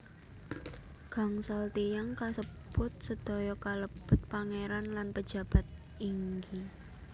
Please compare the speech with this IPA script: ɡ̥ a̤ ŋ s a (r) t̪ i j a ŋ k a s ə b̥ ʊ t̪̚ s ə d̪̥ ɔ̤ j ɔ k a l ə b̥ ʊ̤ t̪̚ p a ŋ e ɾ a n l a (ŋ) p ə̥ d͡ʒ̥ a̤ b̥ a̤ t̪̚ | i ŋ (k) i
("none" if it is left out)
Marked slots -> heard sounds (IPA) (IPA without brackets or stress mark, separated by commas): l, n, ɡ